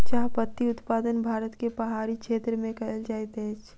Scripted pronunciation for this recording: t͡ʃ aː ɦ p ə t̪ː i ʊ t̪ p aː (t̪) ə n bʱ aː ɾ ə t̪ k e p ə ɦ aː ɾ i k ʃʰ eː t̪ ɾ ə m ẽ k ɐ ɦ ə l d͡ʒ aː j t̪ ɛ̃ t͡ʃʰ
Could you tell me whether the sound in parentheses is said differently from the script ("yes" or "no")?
yes